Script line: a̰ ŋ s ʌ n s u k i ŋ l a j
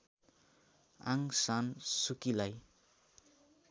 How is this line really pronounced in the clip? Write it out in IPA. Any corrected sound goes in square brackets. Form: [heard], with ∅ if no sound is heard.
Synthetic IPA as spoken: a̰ ŋ s [a] n s u k i [∅] l a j